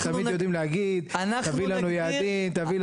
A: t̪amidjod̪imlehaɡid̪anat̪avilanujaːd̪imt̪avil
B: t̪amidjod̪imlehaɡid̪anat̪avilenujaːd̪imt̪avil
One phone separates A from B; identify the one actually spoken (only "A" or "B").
A